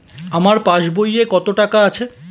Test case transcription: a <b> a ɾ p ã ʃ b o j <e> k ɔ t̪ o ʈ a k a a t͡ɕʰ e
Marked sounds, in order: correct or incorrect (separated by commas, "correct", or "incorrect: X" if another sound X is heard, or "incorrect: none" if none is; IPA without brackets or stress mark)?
incorrect: m, correct